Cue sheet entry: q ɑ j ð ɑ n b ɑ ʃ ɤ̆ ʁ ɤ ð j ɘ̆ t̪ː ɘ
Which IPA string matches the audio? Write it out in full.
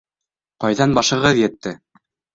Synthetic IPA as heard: q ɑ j ð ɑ n b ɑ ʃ ɤ̆ ʁ ɤ ð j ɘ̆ t̪ː ɘ